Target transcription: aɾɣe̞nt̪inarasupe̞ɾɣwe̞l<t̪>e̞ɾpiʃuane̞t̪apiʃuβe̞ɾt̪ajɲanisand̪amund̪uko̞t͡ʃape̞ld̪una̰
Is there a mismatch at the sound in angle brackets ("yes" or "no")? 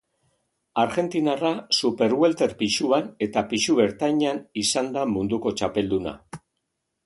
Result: no